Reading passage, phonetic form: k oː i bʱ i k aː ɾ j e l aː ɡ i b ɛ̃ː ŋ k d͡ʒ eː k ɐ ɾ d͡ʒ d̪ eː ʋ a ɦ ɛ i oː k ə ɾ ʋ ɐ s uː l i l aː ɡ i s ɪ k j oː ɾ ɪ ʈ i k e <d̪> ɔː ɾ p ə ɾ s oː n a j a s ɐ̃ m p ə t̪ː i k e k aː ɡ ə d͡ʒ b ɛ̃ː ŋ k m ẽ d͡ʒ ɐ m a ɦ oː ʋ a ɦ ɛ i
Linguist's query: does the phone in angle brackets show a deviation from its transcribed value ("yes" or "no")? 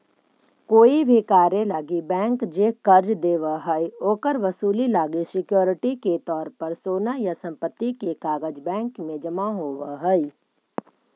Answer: yes